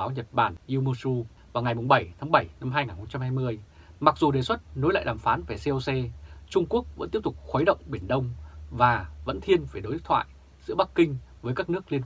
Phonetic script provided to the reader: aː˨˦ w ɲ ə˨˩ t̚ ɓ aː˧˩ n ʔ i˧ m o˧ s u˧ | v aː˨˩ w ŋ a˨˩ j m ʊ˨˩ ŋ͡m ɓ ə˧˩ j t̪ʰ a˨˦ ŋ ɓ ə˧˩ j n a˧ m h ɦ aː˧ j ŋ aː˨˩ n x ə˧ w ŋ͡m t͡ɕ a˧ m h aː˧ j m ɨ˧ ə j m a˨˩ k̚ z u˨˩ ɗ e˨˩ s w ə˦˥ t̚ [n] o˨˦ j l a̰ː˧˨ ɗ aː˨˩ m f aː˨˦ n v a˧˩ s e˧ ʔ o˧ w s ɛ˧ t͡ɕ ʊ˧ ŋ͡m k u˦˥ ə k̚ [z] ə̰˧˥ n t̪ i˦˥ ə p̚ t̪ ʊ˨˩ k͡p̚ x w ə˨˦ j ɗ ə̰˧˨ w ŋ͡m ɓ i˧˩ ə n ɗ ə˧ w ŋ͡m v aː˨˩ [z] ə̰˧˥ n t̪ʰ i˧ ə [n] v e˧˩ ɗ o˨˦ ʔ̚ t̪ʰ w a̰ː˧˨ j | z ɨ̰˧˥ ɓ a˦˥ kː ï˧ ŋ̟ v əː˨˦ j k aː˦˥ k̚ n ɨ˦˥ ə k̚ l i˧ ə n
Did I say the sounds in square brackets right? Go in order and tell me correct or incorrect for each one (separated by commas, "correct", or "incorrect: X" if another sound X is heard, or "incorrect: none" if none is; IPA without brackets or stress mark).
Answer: correct, incorrect: v, incorrect: v, correct